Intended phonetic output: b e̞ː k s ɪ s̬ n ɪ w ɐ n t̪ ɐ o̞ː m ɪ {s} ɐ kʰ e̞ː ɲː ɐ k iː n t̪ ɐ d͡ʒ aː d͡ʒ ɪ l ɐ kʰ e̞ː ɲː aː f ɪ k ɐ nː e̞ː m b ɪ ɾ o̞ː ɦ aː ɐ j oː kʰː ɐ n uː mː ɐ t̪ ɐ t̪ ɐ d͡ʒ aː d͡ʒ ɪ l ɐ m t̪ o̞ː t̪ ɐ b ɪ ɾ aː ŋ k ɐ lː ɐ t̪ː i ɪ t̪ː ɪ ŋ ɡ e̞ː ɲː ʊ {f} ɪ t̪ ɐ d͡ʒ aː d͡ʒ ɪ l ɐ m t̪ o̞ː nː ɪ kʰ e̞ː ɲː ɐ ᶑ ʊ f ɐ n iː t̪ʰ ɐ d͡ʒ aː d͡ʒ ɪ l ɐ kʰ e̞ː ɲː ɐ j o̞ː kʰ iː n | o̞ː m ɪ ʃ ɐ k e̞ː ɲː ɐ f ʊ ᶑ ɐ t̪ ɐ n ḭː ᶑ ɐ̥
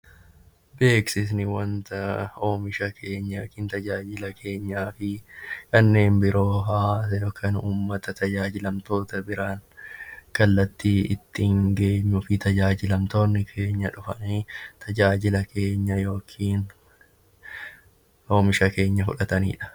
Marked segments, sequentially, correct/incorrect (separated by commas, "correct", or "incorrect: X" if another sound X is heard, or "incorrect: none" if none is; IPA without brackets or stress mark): incorrect: ʃ, correct